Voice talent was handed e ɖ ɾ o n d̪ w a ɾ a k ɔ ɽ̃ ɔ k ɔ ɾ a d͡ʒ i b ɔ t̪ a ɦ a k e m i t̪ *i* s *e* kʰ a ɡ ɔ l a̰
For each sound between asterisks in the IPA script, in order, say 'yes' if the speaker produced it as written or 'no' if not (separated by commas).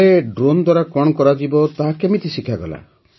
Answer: yes, no